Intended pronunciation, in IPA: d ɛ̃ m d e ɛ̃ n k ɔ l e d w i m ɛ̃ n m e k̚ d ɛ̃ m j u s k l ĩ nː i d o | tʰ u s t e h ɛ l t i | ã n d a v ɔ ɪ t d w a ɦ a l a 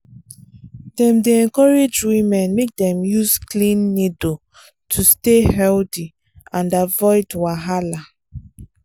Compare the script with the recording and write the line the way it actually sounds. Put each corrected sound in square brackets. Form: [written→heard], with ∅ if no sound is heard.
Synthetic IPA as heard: d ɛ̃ m d e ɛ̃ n k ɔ [l→ɹ] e [d→d͡ʒ] w i m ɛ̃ n m e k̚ d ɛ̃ m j u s k l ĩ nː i d o | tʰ u s t e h ɛ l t i | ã n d a v ɔ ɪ [t→∅] d w a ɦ a l a